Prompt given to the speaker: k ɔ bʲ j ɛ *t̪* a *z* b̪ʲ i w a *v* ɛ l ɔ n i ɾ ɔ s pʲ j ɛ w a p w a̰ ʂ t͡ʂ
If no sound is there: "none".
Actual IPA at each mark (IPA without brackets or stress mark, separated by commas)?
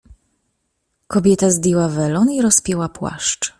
t̪, z, v